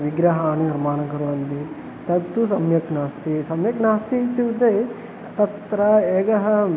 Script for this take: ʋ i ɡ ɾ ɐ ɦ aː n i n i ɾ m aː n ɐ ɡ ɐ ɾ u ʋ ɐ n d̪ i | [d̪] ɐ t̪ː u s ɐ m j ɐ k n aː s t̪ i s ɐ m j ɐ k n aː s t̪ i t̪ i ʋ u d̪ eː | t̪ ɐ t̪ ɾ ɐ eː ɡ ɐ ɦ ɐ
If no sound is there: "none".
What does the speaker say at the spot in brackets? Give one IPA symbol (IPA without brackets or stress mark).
t̪